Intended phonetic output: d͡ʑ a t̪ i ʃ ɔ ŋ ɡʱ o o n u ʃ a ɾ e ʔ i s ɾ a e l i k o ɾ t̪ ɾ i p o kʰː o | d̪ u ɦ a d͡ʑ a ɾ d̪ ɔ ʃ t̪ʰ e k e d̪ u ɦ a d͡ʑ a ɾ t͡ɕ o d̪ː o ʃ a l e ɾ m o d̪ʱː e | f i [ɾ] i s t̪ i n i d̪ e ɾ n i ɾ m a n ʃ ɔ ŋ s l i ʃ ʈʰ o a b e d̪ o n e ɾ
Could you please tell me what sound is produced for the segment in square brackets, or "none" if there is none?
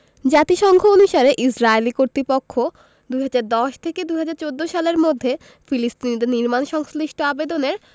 l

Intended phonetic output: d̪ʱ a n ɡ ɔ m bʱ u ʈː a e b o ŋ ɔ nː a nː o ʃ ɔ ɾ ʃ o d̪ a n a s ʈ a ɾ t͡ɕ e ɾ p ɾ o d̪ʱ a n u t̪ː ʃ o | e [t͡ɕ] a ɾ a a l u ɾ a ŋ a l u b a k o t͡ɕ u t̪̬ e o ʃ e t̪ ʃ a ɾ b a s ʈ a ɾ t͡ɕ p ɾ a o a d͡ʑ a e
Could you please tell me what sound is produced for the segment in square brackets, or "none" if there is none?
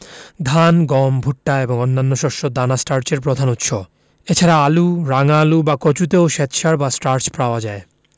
t͡ɕʰ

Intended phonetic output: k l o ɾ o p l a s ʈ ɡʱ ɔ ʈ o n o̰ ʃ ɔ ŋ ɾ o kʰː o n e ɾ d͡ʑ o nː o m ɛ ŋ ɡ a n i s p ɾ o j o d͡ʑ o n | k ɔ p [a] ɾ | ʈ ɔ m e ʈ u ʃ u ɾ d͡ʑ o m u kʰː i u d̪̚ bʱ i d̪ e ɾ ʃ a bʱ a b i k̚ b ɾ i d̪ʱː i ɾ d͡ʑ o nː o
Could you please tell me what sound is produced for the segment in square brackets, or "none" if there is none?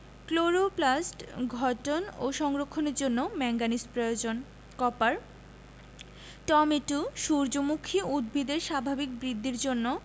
a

